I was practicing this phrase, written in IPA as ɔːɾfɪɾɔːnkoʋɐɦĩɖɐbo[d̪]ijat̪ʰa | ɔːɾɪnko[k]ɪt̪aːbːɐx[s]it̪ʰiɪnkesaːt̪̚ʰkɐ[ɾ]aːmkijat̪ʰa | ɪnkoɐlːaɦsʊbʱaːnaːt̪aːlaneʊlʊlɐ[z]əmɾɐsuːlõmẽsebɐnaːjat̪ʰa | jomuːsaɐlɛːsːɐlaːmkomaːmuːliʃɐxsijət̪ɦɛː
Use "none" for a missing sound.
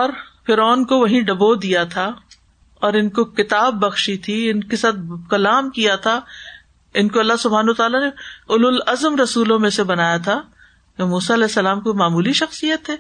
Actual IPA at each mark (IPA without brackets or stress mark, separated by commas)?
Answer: d̪, k, ʃ, l, z